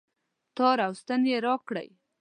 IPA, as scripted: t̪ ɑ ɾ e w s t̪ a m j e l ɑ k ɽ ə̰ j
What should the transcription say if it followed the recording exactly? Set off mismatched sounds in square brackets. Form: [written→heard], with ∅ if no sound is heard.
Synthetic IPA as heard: t̪ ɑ ɾ [e→a] w s t̪ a [m→n] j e [l→ɾ] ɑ k ɽ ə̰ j